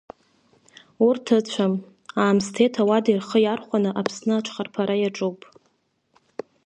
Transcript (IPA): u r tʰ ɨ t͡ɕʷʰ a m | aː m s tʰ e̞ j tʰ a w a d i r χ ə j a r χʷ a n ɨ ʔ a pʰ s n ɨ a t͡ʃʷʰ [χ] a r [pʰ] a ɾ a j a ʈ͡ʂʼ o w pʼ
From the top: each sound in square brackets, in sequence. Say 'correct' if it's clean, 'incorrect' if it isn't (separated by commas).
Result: correct, correct